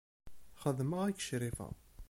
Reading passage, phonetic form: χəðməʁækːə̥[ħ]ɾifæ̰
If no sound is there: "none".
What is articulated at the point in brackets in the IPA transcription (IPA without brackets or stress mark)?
ʃ